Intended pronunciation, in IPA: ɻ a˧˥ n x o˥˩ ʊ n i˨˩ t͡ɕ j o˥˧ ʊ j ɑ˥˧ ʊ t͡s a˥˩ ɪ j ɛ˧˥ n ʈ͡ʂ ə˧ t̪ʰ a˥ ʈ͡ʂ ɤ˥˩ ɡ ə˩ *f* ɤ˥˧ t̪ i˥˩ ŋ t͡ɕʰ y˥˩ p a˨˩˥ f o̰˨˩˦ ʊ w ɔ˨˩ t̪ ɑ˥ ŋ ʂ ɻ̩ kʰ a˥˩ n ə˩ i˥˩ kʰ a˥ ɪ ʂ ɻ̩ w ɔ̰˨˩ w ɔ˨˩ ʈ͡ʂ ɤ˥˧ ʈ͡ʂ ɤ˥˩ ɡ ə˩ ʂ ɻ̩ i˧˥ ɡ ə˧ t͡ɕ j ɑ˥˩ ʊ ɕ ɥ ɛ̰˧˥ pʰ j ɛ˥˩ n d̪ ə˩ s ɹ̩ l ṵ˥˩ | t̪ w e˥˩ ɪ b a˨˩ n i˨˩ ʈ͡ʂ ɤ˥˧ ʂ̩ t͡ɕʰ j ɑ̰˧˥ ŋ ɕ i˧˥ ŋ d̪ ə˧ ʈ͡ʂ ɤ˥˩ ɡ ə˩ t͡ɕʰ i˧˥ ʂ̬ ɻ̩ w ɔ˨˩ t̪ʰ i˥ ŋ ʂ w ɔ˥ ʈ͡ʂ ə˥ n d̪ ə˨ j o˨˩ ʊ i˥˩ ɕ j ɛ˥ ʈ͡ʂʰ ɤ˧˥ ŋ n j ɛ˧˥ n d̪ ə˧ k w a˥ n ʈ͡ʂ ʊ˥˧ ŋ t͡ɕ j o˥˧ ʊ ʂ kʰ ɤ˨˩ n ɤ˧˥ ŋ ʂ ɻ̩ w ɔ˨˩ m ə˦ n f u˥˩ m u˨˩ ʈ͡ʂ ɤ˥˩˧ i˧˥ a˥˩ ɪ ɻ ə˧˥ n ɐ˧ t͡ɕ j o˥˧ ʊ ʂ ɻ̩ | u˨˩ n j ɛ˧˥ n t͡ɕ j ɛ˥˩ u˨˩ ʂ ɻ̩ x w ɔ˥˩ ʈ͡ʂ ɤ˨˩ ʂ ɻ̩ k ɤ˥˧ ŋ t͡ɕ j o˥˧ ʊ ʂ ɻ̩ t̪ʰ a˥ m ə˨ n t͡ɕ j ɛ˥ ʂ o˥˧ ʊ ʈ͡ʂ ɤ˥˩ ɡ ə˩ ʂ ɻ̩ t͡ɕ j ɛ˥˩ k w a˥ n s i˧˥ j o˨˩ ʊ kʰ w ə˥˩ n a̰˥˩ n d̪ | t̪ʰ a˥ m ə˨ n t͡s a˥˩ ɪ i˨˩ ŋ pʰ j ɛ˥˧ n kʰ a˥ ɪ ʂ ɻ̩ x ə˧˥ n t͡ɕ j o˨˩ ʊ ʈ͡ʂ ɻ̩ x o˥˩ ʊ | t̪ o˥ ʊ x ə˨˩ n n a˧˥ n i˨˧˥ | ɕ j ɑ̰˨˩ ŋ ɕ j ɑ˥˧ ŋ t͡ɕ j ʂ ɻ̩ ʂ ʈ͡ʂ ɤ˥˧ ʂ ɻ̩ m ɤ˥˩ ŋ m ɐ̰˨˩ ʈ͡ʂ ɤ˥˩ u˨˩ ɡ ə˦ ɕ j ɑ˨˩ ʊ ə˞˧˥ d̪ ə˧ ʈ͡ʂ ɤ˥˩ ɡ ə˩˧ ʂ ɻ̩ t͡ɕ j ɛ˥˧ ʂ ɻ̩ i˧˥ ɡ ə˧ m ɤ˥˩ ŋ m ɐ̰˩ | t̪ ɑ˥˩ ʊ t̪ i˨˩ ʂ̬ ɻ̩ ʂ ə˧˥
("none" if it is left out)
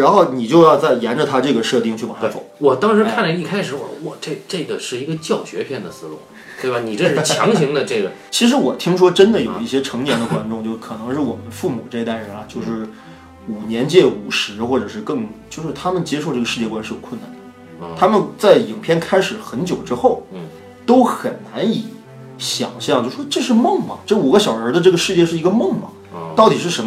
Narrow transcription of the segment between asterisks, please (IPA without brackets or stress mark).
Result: ʂ